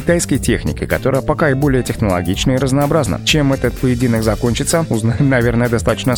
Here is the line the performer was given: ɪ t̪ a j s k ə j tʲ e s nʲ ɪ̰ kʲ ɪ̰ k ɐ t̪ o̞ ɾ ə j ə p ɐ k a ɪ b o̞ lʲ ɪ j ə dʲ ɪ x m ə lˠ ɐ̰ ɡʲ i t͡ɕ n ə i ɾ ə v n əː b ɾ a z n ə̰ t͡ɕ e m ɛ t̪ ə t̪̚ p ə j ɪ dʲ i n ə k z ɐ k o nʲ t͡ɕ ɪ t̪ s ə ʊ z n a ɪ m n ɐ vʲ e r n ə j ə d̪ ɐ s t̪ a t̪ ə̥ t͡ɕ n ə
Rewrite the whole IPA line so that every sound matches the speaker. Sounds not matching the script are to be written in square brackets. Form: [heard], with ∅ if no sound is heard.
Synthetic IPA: ɪ t̪ a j s k ə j tʲ e [x] nʲ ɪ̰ kʲ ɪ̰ k ɐ t̪ o̞ ɾ ə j ə p ɐ k a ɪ b o̞ lʲ ɪ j ə [tʲ] ɪ x [n] ə lˠ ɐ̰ ɡʲ i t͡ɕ n ə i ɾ ə [z] n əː b ɾ a z n ə̰ t͡ɕ e m ɛ t̪ ə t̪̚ p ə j ɪ dʲ i n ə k z ɐ k o nʲ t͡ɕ ɪ t̪ s ə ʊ z n a ɪ m n ɐ vʲ e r n ə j ə d̪ ɐ s t̪ a t̪ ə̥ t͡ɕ n ə